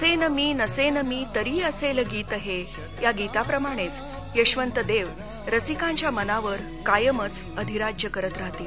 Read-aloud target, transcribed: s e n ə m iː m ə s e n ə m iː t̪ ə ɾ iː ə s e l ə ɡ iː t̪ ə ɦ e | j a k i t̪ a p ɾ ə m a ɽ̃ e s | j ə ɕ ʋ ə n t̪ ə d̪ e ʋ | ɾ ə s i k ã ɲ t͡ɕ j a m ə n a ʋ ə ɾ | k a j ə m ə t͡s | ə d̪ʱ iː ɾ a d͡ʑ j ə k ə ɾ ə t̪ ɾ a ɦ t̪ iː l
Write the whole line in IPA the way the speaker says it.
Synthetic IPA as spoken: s e n ə m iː n ə s e n ə m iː t̪ ə ɾ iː ə s e l ə ɡ iː t̪ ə ɦ e | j a ɡ i t̪ a p ɾ ə m a ɽ̃ e t͡s | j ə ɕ ʋ ə n t̪ ə d̪ e ʋ | ɾ ə s i k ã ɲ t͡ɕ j a m ə n a ʋ ə ɾ | k a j ə m ə t͡s | ə d̪ʱ i ɾ a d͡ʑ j ə k ə ɾ ə t̪ ɾ a ɦ t̪ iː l